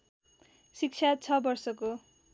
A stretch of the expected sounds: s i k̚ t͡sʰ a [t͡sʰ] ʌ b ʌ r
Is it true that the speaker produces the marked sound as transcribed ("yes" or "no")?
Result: yes